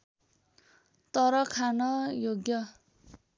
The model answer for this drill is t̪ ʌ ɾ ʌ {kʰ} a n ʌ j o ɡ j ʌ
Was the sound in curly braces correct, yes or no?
yes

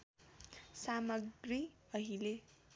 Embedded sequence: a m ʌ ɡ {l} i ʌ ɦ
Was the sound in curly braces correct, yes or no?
no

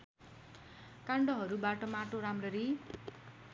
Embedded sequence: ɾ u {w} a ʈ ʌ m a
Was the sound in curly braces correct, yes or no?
no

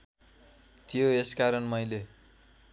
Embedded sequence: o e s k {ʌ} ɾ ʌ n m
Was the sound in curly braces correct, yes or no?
no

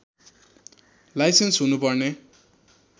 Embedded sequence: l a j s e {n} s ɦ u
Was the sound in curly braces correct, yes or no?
yes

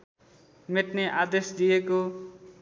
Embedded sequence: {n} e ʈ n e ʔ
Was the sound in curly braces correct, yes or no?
no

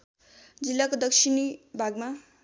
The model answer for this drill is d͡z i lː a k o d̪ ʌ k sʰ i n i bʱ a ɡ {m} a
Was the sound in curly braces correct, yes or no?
yes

